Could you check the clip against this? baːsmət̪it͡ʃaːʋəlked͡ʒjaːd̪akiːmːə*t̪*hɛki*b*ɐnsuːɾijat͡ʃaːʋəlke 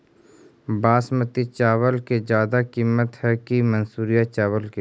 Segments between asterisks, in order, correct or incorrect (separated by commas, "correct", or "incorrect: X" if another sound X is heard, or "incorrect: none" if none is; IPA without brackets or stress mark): correct, incorrect: m